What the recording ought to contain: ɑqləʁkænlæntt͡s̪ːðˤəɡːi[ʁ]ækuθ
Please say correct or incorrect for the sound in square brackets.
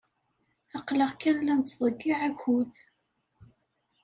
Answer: incorrect